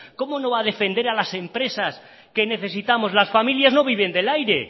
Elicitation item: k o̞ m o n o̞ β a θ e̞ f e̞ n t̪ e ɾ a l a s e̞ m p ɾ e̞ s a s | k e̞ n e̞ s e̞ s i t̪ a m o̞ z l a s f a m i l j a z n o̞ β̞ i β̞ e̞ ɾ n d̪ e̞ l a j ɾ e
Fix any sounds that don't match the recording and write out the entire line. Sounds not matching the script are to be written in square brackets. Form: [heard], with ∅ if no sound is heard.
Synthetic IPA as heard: k o̞ m o n o̞ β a [ð] e̞ f e̞ n [d̪] e ɾ a l a s e̞ m p ɾ e̞ s a s | k e̞ n e̞ [θ] e̞ s i t̪ a m o̞ z l a s f a m i l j a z n o̞ β̞ i β̞ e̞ [∅] n d̪ e̞ l a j ɾ e